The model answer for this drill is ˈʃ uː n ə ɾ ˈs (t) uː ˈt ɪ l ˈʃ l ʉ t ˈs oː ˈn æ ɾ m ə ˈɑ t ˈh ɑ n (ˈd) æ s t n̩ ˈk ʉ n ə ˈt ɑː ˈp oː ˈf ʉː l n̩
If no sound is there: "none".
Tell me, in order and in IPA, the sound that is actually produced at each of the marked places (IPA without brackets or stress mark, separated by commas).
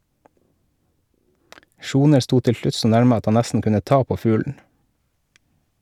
t, n